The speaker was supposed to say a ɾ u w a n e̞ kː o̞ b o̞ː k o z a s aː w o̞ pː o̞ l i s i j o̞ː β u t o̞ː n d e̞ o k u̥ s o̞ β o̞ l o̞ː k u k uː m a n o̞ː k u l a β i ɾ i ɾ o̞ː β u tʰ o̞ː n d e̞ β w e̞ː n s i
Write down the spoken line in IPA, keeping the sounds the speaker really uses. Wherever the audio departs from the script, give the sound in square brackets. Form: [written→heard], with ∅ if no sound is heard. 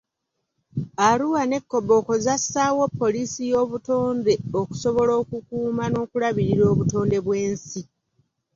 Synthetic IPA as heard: a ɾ u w a n e̞ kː o̞ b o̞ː k o z a s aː w o̞ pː o̞ l i s i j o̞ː β u t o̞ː n d e̞ o k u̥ s o̞ β o̞ l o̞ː k u k uː m a n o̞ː k u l a β i ɾ i ɾ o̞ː β u [tʰ→t] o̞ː n d e̞ β w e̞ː n s i

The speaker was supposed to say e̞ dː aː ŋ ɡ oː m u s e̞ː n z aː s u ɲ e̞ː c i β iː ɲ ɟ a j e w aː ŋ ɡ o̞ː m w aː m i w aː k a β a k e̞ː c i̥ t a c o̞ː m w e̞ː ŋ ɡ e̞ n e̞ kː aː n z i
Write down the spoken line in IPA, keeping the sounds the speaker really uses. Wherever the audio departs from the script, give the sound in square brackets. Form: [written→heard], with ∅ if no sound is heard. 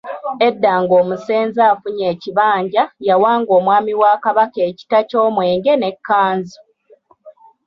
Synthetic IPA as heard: e̞ dː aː ŋ ɡ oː m u s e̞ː n z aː [s→f] u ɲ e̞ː c i β [iː→aː] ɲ ɟ a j [e→a] w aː ŋ ɡ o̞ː m w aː m i w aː k a β a k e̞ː c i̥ t a c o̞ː m w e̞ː ŋ ɡ e̞ n e̞ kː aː n z i

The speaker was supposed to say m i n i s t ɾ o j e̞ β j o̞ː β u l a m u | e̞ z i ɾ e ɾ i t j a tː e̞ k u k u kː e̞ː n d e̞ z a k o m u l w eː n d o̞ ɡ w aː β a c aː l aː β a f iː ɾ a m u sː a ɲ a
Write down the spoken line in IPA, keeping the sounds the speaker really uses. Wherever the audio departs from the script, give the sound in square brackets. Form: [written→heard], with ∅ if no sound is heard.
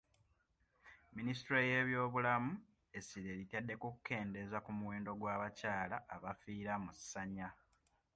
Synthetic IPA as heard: m i n i s t ɾ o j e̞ β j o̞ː β u l a m u | e̞ [z→s] i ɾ e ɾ i t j a [tː→dː] e̞ k u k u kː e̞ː n d e̞ z a k [o→u] m u [l→∅] w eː n d o̞ ɡ w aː β a c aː l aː β a f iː ɾ a m u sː a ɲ a

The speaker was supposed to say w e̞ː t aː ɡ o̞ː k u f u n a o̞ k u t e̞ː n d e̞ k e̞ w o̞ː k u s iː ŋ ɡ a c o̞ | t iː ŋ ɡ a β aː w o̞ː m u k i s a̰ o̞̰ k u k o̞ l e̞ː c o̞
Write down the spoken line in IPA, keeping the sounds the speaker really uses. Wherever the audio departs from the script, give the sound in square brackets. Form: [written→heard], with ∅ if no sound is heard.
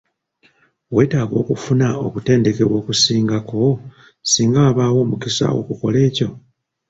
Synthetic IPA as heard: w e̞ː t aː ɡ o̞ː k u f u n a o̞ k u t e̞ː n d e̞ k e̞ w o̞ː k u s iː ŋ ɡ a [c→k] o̞ | [t→s] iː ŋ ɡ a β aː w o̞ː m u k i s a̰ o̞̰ k u k o̞ l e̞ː c o̞

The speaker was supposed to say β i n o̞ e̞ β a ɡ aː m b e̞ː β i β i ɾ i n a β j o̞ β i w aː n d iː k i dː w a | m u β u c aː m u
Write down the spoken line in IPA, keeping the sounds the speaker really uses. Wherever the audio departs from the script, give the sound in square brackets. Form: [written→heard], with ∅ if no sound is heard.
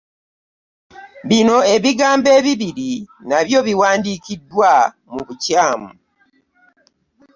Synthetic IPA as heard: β i n o̞ e̞ β [a→i] ɡ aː m b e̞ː β i β i ɾ i n a β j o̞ β i w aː n d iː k i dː w a | m u β u c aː m u

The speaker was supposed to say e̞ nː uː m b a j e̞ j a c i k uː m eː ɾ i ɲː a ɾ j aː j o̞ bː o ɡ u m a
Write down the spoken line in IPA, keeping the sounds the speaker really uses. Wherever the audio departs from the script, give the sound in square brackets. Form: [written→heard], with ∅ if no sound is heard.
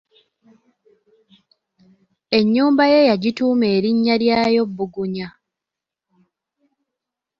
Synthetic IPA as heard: e̞ [nː→ɲː] uː m b a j e̞ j a [c→ɟ] i [k→t] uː m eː ɾ i ɲː a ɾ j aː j o̞ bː [o→u] ɡ u [m→ɲ] a

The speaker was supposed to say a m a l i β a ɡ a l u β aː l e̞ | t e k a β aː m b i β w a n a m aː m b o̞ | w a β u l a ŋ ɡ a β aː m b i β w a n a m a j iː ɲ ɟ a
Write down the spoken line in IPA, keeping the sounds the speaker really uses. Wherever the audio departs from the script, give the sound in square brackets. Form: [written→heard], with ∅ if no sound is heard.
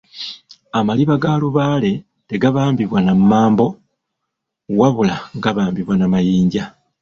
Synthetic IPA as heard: a m a l i β a ɡ a l u β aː l e̞ | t e [k→ɡ] a β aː m b i β w a n a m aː m b o̞ | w a β u l a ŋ ɡ a β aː m b i β w a n a m a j iː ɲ ɟ a

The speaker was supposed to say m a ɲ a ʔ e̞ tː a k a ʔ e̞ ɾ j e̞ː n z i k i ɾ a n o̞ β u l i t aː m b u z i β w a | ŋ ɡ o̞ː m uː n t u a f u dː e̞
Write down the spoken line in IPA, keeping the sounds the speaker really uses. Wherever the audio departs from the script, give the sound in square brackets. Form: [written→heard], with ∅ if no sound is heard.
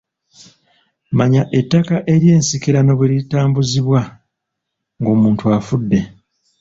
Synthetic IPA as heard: m a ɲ a ʔ e̞ tː a k a ʔ e̞ ɾ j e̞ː n [z→s] i k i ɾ a n o̞ β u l i t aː m b u z i β w a | ŋ ɡ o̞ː m uː n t u a f u dː e̞

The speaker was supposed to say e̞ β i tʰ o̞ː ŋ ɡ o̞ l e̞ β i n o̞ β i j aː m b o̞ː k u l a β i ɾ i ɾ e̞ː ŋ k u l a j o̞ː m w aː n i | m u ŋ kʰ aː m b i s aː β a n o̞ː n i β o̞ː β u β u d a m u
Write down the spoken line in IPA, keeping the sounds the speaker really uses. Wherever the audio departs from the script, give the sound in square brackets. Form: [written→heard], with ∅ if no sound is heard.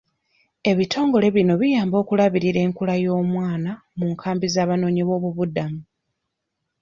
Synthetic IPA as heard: e̞ β i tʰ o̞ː ŋ ɡ o̞ l e̞ β i n o̞ β i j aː m b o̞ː k u l a β i ɾ i ɾ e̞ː ŋ k u l a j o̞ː m w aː n [i→a] | m u ŋ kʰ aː m b i [s→z] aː β a n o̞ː [n→ɲ] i β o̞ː β u β u d a m u

